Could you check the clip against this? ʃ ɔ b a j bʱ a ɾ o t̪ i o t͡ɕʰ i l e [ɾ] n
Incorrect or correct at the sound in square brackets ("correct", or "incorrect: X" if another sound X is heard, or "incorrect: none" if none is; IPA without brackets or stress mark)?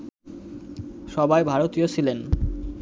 incorrect: none